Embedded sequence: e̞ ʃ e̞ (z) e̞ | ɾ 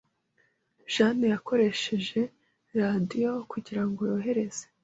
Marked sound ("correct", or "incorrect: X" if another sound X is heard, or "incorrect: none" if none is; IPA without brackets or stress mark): incorrect: ʒ